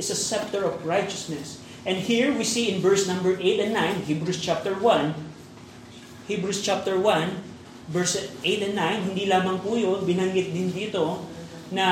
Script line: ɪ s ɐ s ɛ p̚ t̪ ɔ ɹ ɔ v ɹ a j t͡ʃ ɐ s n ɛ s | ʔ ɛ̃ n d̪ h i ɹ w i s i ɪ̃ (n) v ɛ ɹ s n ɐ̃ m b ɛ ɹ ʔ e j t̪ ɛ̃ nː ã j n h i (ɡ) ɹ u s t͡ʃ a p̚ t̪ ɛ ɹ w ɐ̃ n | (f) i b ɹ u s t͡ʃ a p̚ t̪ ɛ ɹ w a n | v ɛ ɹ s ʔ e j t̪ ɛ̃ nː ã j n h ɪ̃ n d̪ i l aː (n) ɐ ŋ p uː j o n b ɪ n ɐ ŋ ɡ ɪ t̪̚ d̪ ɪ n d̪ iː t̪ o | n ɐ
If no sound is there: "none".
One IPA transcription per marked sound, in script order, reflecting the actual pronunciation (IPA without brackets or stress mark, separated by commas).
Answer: n, b, h, m